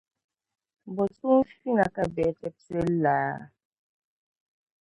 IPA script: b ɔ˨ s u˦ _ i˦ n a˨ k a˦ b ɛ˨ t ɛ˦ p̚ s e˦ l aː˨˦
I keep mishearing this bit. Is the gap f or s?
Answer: f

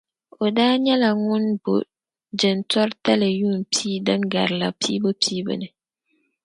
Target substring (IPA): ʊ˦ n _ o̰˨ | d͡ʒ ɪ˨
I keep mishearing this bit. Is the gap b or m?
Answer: b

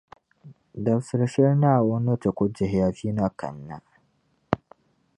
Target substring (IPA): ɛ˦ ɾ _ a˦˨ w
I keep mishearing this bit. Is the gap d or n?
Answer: n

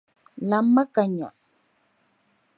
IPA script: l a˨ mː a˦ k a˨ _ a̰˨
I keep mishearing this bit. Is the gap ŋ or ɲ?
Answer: ɲ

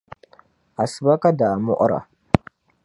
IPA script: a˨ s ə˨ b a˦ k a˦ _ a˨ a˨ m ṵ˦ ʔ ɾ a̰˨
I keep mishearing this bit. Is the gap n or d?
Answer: d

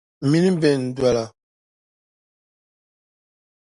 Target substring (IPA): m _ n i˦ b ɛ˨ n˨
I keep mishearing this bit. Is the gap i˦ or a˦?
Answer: i˦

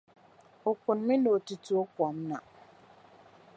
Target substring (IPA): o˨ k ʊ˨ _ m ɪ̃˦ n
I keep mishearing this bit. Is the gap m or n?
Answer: n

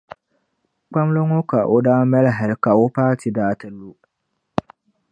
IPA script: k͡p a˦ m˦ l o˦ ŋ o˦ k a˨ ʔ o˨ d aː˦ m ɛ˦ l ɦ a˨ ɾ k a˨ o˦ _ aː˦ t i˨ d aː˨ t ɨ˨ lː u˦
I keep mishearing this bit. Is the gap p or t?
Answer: p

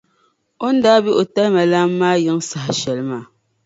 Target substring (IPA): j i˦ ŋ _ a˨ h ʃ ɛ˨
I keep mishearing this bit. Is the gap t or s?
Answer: s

